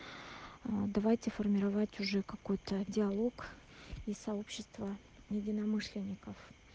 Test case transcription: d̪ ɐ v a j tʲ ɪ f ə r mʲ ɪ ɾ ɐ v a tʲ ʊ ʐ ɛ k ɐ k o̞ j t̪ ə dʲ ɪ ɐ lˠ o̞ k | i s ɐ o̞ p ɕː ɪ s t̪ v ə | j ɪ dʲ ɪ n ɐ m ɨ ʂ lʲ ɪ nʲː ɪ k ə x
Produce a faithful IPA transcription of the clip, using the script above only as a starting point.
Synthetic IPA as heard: d̪ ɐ v a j tʲ ɪ f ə r mʲ ɪ ɾ ɐ v a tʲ ʊ ʐ ɛ k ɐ k o̞ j t̪ ə dʲ ɪ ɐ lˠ o̞ k | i s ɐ o̞ p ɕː ɪ s t̪ v ə | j ɪ dʲ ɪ n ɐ m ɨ ʂ lʲ ɪ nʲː ɪ k ə f